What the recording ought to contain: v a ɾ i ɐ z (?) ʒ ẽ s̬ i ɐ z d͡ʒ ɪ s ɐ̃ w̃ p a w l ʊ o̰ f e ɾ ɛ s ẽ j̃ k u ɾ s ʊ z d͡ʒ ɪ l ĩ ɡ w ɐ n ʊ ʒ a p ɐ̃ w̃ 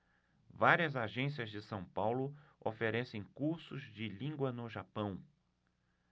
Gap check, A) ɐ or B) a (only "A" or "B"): B